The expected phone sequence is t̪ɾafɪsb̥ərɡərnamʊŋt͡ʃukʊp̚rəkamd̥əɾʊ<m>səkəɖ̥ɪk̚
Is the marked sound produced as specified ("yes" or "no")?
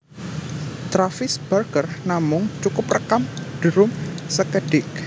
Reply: yes